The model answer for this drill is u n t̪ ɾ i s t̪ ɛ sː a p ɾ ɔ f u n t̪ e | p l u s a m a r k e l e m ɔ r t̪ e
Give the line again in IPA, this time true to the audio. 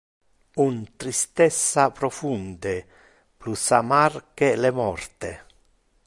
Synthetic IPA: u n t̪ ɾ i s t̪ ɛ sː a p ɾ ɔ f u n d̪ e | p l u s a m a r k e l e m ɔ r t̪ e